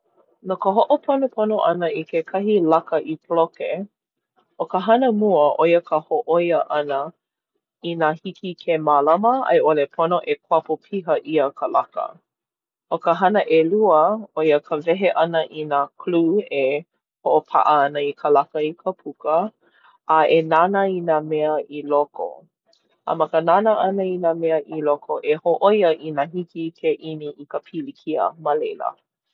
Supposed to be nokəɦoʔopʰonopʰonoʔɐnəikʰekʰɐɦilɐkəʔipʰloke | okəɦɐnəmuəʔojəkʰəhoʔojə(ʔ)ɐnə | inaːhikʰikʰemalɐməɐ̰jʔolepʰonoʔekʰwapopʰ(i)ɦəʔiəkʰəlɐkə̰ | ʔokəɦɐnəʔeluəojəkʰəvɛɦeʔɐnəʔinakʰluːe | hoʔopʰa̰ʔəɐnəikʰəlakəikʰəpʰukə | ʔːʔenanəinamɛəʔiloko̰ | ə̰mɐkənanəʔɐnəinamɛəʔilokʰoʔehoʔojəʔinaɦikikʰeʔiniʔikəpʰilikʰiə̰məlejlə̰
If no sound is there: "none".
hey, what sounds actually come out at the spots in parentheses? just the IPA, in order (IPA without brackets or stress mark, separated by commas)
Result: ʔ, i